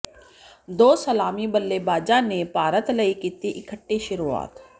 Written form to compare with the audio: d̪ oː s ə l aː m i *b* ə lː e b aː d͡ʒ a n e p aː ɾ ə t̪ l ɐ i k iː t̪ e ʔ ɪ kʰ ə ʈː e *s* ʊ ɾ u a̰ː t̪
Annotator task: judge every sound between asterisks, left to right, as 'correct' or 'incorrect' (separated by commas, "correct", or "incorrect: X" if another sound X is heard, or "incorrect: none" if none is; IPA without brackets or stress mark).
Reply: correct, incorrect: ʃ